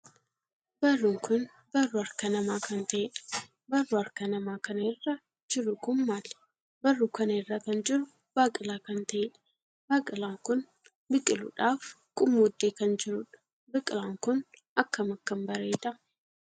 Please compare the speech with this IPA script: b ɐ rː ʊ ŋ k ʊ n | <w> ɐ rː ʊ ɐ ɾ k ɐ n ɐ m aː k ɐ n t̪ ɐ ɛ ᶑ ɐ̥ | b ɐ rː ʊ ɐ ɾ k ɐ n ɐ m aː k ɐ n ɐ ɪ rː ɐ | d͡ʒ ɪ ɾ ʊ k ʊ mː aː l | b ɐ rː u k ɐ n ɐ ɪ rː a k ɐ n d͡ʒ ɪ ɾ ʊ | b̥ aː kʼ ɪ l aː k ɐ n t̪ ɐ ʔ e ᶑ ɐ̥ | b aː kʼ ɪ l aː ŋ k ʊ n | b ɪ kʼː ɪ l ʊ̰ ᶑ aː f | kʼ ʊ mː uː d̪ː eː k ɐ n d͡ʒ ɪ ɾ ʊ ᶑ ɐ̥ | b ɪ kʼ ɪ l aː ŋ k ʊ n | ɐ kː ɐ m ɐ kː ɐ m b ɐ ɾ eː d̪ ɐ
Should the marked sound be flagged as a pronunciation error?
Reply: yes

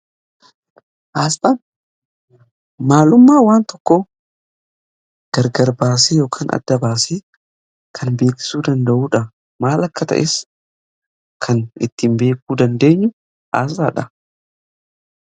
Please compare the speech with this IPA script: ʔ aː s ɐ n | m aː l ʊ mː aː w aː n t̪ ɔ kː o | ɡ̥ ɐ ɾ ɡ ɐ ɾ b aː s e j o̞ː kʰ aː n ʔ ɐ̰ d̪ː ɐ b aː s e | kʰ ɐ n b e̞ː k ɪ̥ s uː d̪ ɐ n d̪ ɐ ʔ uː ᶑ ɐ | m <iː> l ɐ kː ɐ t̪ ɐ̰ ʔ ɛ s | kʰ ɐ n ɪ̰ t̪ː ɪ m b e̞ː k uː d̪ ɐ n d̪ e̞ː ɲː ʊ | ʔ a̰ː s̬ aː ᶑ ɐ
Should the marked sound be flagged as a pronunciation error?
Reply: yes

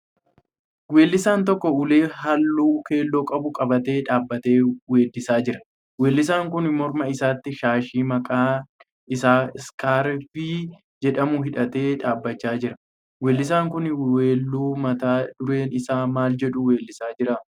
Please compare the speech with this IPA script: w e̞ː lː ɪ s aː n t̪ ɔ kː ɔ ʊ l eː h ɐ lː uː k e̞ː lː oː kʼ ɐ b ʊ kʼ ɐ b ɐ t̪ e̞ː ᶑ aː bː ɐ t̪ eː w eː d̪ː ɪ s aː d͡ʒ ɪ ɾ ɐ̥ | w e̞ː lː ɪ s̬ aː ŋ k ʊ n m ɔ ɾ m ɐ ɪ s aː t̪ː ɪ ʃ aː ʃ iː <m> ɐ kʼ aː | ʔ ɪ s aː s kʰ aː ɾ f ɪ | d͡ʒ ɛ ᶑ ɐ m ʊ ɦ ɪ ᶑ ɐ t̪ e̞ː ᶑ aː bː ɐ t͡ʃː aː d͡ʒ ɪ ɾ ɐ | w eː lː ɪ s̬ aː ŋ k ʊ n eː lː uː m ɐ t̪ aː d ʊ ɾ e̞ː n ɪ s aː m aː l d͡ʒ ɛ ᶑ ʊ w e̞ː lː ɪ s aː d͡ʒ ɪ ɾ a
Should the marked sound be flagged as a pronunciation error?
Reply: no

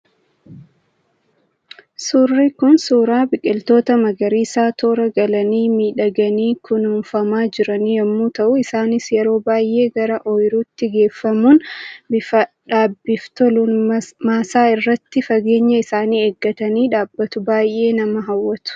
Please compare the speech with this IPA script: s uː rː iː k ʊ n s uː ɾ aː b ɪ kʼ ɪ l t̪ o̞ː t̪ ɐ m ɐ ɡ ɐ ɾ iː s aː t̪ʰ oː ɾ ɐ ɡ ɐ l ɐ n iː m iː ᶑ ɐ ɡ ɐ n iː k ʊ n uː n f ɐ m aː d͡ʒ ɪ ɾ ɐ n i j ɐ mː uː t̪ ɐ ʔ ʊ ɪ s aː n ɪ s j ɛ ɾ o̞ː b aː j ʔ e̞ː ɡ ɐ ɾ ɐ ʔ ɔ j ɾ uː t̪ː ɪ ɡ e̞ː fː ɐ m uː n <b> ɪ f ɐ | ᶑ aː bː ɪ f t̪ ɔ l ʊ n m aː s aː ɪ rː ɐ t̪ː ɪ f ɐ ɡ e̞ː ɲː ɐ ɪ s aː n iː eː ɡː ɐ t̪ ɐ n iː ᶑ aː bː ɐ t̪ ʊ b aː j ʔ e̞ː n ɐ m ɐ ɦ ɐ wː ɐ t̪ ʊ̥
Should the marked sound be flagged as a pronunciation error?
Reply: no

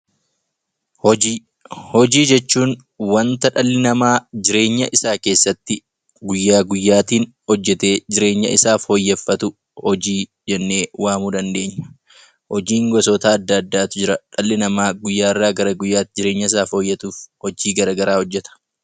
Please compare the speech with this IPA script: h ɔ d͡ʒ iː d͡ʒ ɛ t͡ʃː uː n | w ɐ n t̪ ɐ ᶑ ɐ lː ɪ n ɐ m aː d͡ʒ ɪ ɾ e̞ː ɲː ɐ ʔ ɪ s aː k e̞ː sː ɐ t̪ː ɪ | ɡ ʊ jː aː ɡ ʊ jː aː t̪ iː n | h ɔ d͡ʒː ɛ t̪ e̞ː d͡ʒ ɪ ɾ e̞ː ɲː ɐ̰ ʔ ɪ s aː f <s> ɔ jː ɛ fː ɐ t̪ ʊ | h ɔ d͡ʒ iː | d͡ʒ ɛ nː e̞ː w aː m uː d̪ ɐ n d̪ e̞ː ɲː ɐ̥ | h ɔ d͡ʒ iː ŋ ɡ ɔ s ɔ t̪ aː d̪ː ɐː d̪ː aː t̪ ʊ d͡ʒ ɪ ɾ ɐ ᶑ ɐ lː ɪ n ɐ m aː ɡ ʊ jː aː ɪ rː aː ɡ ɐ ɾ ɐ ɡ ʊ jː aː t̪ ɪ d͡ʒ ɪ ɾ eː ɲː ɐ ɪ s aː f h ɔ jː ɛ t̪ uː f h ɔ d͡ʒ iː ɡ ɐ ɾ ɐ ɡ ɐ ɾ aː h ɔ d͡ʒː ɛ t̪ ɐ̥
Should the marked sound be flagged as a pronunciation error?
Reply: yes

